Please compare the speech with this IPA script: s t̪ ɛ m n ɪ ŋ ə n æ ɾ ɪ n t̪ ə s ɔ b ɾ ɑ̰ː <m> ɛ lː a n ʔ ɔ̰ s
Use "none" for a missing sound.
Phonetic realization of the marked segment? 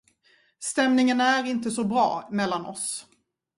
m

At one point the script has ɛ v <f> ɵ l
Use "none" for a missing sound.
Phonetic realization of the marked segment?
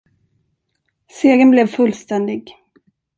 f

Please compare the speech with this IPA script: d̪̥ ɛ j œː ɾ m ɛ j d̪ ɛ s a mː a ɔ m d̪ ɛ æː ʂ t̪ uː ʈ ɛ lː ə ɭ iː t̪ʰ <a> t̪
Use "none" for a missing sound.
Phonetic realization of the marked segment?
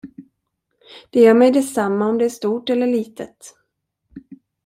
ə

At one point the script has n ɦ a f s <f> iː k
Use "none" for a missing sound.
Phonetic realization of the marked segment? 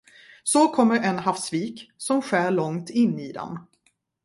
v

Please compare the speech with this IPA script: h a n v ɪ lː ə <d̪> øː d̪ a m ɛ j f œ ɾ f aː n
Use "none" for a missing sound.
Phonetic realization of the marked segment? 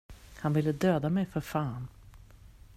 d̪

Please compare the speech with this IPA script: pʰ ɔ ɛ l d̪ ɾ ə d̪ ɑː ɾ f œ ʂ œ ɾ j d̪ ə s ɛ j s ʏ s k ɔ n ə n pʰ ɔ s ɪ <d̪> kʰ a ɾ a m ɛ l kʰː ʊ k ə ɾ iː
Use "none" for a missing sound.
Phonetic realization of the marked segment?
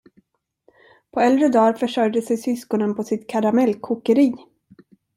t̪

